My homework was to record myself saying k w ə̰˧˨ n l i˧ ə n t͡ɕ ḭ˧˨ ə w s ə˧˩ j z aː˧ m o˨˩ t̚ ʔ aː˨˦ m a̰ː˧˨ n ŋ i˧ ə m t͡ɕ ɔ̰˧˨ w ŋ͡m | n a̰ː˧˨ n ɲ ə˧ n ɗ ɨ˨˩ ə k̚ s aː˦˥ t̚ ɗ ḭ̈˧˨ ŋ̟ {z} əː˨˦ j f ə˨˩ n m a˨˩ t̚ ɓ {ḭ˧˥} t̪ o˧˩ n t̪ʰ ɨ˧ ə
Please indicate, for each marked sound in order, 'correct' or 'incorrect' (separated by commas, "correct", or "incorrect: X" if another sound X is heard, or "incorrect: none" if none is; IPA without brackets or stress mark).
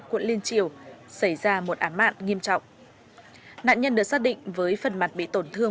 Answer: incorrect: v, incorrect: ḭ˧˨